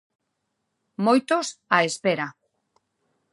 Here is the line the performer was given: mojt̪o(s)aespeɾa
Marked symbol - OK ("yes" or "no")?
yes